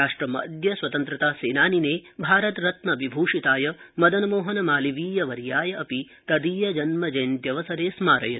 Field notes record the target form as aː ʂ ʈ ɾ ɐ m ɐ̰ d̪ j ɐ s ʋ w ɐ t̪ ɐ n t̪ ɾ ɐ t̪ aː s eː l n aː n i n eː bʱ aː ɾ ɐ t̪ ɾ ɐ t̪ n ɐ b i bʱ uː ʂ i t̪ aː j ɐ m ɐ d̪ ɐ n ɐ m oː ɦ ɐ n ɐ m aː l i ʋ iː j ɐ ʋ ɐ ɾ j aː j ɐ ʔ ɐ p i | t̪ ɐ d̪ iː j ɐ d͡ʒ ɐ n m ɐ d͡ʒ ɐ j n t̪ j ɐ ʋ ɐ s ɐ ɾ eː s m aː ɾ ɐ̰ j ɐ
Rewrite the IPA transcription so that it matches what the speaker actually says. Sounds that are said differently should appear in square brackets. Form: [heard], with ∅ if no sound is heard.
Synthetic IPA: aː ʂ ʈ ɾ ɐ m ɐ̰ d̪ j ɐ s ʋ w ɐ t̪ ɐ n t̪ ɾ ɐ t̪ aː s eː [∅] n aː n i n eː bʱ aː ɾ ɐ t̪ ɾ ɐ t̪ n ɐ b i bʱ uː ʂ i t̪ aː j ɐ m ɐ d̪ ɐ n ɐ m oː ɦ ɐ n ɐ m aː l i ʋ iː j ɐ ʋ ɐ ɾ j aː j ɐ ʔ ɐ p i | t̪ ɐ d̪ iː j ɐ d͡ʒ ɐ n m ɐ d͡ʒ ɐ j n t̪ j ɐ ʋ ɐ s ɐ ɾ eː s m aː ɾ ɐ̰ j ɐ

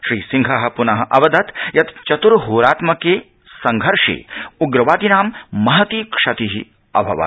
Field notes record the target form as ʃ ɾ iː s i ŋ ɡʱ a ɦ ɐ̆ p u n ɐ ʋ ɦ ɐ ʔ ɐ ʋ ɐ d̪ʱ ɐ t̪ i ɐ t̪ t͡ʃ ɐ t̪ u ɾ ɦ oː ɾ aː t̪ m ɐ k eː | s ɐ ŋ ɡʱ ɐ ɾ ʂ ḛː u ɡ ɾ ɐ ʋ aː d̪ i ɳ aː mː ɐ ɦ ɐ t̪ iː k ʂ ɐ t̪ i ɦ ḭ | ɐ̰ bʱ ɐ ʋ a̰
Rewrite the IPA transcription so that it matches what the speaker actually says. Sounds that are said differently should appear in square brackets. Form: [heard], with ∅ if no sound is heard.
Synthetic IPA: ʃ ɾ iː s i ŋ ɡʱ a ɦ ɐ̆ p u n ɐ [∅] ɦ ɐ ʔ ɐ ʋ ɐ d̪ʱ ɐ t̪ [j] ɐ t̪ t͡ʃ ɐ t̪ u ɾ ɦ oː ɾ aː t̪ m ɐ k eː | s ɐ ŋ ɡʱ ɐ ɾ ʂ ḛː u ɡ ɾ ɐ ʋ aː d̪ i [n] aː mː ɐ ɦ ɐ t̪ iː k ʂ ɐ t̪ i ɦ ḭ | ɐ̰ bʱ ɐ ʋ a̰

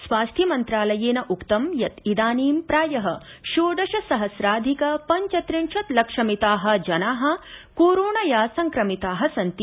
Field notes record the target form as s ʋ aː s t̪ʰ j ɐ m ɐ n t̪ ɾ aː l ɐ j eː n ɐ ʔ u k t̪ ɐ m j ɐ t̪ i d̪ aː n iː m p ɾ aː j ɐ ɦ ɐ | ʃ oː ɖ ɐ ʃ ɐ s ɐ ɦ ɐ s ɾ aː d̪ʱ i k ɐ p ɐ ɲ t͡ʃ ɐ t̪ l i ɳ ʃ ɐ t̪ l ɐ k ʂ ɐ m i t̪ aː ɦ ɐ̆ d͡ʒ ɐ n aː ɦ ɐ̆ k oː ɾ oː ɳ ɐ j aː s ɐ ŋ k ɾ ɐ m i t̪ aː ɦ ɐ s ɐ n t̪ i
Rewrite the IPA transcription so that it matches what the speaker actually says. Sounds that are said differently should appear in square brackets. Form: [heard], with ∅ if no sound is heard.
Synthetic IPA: s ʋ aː s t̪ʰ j ɐ m ɐ n t̪ ɾ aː l ɐ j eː n ɐ ʔ u k t̪ ɐ m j ɐ t̪ i d̪ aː n iː m p ɾ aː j ɐ ɦ ɐ | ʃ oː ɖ ɐ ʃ ɐ s ɐ ɦ ɐ s ɾ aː d̪ʱ i k ɐ p ɐ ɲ t͡ʃ ɐ t̪ [ɾ] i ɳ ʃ ɐ t̪ l ɐ k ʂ ɐ m i t̪ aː ɦ ɐ̆ d͡ʒ ɐ n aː ɦ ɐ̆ k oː ɾ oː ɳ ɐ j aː s ɐ ŋ k ɾ ɐ m i t̪ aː ɦ ɐ s ɐ n t̪ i

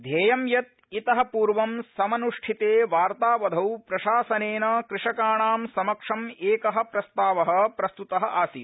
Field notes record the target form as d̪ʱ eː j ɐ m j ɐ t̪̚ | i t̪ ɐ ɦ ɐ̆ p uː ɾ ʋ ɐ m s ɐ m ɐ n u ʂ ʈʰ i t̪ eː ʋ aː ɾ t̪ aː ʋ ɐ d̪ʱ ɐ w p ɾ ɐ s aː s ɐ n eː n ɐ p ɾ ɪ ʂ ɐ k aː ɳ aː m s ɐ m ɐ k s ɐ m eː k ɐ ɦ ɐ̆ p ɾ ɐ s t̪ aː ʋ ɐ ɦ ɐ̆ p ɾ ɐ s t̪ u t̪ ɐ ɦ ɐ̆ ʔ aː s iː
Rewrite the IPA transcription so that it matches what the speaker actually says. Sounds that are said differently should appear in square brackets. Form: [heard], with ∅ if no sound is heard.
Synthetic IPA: d̪ʱ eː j ɐ m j ɐ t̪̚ | i t̪ ɐ ɦ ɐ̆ p uː ɾ ʋ ɐ m s ɐ m ɐ n u ʂ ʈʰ i t̪ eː ʋ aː ɾ t̪ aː ʋ ɐ d̪ʱ ɐ w p ɾ ɐ [ʃ] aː s ɐ n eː n ɐ [k] ɾ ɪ ʂ ɐ k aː ɳ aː m s ɐ m ɐ k [ʂ] ɐ m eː k ɐ ɦ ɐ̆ p ɾ ɐ s t̪ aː ʋ ɐ ɦ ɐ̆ p ɾ ɐ s t̪ u t̪ ɐ ɦ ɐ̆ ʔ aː s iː

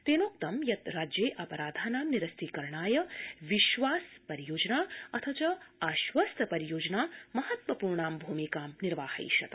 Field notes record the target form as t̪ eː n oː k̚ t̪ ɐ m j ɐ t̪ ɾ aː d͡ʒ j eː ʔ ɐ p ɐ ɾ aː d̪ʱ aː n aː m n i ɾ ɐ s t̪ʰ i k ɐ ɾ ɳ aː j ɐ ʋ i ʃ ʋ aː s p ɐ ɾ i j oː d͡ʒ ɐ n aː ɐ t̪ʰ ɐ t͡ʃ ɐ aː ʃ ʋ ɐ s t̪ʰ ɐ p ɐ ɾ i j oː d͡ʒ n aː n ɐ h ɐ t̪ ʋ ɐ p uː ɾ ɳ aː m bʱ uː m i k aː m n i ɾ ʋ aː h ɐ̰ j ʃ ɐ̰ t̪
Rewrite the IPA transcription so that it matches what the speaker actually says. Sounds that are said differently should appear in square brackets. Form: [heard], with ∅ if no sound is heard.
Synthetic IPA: t̪ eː n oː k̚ t̪ ɐ m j ɐ t̪ ɾ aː d͡ʒ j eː ʔ ɐ p ɐ ɾ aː d̪ʱ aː n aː m n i ɾ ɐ s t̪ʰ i k ɐ ɾ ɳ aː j ɐ ʋ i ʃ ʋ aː s p ɐ ɾ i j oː d͡ʒ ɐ n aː ɐ t̪ʰ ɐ t͡ʃ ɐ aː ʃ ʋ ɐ s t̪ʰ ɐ p ɐ ɾ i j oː d͡ʒ n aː [m] ɐ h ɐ t̪ ʋ ɐ p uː ɾ ɳ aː m bʱ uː m i k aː m n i ɾ ʋ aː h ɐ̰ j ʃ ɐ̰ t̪

